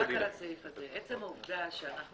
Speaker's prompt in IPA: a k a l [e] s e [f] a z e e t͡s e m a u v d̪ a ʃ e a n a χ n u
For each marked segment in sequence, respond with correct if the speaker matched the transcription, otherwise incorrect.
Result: incorrect: a, correct

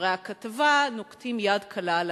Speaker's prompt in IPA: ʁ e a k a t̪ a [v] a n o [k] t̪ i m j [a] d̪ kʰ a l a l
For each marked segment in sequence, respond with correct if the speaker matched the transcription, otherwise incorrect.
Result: correct, correct, correct

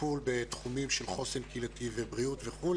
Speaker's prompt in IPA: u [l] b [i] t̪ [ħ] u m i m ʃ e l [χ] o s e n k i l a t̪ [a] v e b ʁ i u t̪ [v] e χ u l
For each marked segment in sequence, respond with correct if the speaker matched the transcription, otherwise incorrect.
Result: correct, incorrect: e, incorrect: χ, correct, incorrect: i, correct

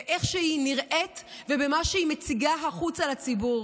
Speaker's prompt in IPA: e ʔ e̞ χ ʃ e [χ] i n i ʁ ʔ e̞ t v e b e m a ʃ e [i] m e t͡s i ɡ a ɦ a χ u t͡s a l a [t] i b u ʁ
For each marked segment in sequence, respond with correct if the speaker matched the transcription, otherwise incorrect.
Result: incorrect: none, correct, incorrect: t͡s

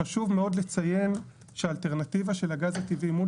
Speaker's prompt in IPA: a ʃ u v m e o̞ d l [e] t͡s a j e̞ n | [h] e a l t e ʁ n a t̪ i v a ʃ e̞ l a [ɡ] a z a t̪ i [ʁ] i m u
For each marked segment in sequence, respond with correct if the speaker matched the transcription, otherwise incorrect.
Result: correct, incorrect: ʃ, correct, incorrect: v

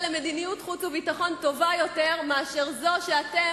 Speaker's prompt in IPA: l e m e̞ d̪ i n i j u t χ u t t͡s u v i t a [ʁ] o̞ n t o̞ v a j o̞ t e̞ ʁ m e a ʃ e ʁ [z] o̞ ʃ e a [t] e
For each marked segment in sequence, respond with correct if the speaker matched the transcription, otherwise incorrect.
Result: incorrect: χ, correct, correct

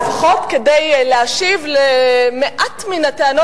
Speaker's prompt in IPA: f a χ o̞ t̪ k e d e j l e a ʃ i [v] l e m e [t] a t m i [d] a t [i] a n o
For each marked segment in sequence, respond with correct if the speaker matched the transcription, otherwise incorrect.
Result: correct, incorrect: ʔ, incorrect: n, incorrect: e

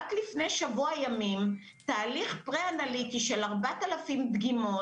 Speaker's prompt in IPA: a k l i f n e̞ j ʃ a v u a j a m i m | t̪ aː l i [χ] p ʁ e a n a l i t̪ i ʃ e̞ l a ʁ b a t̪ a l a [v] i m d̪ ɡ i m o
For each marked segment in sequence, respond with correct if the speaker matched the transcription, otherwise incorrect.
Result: correct, incorrect: f

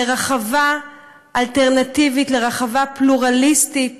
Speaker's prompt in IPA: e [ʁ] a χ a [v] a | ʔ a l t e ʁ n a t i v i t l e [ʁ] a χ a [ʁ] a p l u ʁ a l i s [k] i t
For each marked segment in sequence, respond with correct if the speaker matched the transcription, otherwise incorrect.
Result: correct, correct, correct, incorrect: v, incorrect: t

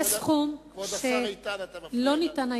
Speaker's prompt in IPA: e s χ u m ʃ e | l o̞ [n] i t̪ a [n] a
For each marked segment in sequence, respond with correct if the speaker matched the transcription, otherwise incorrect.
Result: correct, correct

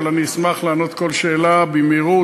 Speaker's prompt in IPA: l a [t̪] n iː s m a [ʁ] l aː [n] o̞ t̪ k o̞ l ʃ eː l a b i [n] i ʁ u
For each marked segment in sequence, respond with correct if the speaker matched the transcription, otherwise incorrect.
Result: incorrect: none, incorrect: χ, correct, incorrect: m

